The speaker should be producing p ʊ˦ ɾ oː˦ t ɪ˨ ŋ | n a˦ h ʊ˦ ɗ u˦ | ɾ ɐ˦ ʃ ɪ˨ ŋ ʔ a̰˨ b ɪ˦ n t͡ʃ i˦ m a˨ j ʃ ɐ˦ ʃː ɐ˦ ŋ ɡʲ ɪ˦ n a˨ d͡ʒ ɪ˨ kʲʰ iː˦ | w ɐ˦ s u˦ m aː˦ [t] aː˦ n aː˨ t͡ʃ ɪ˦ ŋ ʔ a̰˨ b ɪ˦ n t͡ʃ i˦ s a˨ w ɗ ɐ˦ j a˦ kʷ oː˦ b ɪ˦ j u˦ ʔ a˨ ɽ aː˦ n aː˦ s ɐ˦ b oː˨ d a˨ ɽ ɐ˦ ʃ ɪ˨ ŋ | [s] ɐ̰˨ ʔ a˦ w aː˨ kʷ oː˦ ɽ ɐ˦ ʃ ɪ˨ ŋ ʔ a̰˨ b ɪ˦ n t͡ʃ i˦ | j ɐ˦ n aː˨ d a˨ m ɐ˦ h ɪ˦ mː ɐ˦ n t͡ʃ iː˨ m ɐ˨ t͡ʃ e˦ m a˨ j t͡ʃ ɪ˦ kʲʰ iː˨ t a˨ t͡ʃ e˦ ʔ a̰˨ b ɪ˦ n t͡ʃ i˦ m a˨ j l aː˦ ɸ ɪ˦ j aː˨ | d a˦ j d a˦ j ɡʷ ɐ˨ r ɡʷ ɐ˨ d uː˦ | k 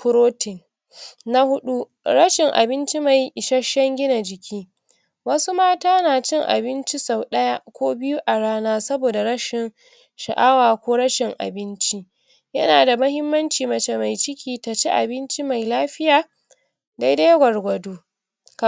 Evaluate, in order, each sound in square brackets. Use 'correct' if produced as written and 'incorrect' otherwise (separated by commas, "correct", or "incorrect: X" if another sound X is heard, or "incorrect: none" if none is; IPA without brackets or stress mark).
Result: correct, incorrect: ʃ